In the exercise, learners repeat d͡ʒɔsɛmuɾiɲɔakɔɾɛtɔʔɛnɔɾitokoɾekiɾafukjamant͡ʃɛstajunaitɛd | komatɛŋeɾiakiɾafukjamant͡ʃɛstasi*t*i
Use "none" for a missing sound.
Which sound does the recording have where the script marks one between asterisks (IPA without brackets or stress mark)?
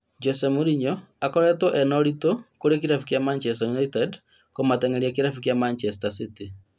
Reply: t